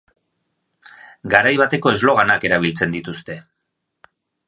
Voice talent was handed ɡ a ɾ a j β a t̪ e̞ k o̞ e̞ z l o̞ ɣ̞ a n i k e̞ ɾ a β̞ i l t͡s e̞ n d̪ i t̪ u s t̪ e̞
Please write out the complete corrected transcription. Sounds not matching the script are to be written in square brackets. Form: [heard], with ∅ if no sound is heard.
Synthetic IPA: ɡ a ɾ a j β a t̪ e̞ k o̞ e̞ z l o̞ ɣ̞ a n [a] k e̞ ɾ a β̞ i l t͡s e̞ n d̪ i t̪ u s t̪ e̞